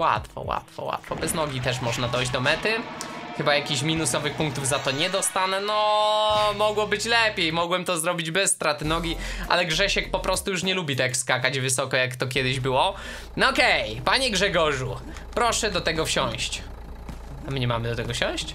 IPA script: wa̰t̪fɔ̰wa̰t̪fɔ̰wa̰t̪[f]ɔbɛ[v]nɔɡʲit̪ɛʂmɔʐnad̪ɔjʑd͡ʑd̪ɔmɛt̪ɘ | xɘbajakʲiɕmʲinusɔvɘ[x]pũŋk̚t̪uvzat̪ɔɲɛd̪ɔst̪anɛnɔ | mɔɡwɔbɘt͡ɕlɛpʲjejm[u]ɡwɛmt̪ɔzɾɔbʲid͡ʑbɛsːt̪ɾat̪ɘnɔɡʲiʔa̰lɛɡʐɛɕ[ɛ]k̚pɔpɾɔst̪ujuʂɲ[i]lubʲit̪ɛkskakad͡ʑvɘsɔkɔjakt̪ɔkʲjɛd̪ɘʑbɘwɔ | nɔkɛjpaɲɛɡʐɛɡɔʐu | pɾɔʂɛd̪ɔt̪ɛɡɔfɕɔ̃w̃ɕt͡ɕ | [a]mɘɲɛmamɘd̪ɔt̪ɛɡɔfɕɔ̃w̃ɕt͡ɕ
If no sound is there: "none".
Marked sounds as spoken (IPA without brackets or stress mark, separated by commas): f, z, x, ɔ, ɛ, ɛ, a